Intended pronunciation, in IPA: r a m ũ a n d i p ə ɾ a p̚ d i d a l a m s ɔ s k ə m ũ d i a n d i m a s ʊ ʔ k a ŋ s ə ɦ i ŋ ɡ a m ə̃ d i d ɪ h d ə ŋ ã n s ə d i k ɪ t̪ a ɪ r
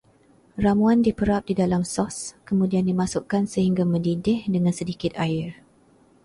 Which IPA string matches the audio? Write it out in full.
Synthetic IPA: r a m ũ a n d i p ə ɾ a p̚ d i d a l a m s ɔ s k ə m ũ d i a n d i m a s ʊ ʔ k a n s ə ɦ i ŋ ɡ a m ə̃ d i d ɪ h d ə ŋ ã n s ə d i k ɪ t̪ a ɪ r